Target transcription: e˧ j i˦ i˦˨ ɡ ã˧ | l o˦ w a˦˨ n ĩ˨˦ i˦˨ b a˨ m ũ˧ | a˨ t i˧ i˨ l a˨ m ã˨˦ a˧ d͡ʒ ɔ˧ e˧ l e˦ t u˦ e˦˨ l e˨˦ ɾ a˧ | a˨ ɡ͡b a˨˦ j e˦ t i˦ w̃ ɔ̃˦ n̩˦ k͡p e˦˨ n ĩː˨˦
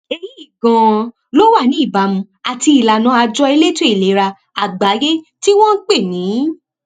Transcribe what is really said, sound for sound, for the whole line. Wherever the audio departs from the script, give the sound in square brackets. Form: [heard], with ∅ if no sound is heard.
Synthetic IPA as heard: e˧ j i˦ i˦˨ ɡ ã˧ | l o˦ w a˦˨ n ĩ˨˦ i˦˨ b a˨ m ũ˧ | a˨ t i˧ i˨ l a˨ [n] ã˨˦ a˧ d͡ʒ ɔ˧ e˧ l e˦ t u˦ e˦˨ l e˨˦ ɾ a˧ | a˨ ɡ͡b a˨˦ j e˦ t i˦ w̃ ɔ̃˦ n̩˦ k͡p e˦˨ n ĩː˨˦